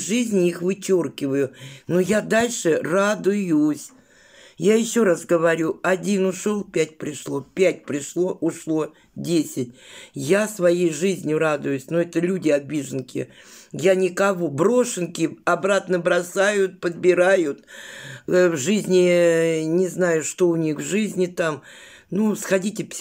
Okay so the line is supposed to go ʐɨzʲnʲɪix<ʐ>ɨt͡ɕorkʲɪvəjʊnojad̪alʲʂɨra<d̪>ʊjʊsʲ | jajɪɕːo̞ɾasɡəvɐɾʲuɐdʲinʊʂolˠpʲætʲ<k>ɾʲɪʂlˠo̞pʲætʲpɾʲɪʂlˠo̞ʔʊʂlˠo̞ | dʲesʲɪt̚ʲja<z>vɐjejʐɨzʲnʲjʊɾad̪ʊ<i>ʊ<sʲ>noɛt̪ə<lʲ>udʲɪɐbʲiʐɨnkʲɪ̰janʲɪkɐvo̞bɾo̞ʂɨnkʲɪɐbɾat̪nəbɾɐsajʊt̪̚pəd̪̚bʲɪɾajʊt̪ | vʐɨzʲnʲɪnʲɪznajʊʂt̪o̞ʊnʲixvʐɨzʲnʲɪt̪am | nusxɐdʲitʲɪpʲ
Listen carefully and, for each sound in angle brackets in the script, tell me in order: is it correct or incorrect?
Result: incorrect, correct, incorrect, incorrect, incorrect, correct, correct

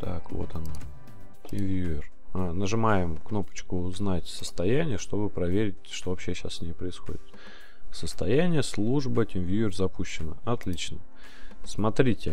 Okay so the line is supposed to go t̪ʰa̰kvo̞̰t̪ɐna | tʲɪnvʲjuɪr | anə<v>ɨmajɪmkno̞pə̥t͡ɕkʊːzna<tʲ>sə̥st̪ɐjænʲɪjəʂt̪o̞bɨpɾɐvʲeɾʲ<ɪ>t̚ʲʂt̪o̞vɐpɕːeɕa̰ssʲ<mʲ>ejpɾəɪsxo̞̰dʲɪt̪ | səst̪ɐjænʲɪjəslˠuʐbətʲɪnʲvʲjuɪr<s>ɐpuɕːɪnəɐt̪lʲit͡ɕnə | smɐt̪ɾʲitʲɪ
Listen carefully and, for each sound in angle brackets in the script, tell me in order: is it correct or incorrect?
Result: incorrect, correct, correct, incorrect, incorrect

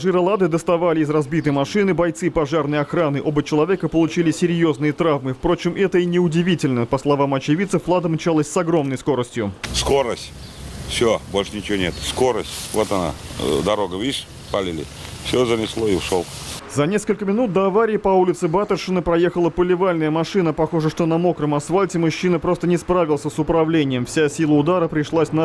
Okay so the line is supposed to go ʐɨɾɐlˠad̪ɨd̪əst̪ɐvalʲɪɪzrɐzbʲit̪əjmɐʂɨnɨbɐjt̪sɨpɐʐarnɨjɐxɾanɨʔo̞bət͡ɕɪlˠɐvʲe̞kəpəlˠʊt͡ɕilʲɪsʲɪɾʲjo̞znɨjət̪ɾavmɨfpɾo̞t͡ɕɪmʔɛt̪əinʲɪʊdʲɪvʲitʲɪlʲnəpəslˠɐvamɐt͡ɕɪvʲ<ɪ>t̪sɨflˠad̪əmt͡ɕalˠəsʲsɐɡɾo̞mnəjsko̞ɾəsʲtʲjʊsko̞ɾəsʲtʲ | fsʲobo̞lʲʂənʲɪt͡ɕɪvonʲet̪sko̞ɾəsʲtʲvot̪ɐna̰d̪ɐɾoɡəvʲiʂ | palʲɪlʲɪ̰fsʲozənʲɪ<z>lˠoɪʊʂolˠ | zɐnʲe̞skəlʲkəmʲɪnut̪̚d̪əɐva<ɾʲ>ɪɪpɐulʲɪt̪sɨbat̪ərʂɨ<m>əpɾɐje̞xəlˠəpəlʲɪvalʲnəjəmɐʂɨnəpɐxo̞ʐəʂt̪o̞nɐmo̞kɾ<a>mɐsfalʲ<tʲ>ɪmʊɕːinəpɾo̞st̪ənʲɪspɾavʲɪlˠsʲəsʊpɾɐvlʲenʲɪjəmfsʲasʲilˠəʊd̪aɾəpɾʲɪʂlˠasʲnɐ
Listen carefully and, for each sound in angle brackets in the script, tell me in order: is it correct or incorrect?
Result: incorrect, incorrect, correct, incorrect, incorrect, correct

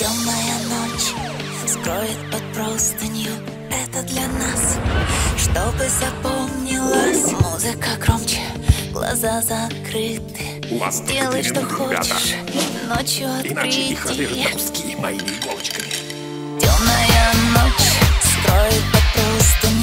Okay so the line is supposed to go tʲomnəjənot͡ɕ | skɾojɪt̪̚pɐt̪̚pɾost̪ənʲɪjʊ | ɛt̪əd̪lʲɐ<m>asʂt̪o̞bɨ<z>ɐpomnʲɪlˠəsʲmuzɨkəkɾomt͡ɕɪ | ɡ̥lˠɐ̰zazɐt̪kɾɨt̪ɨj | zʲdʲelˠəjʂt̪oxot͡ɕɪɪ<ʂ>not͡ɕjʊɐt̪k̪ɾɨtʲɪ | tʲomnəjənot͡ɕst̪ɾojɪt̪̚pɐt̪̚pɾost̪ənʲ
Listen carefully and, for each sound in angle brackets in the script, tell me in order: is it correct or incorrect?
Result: incorrect, correct, correct

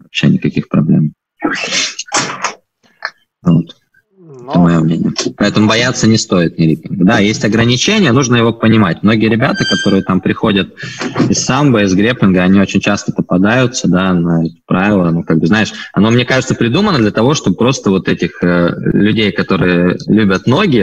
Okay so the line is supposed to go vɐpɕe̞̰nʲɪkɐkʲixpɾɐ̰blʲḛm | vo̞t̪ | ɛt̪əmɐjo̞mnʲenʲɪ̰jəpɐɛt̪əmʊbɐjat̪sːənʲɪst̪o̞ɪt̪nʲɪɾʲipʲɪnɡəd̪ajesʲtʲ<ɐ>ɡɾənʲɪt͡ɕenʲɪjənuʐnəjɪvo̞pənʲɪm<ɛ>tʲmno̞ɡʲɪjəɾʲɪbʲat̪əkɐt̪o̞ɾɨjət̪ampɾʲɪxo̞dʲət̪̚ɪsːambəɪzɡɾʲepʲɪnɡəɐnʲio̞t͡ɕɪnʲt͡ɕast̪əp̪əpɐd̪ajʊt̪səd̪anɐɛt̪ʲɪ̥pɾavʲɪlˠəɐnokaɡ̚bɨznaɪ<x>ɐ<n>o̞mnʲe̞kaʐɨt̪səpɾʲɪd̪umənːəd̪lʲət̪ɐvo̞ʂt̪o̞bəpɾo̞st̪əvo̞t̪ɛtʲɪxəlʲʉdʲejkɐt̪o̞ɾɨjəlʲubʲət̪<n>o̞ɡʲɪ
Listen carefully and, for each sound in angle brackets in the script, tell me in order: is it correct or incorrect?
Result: correct, incorrect, incorrect, correct, correct

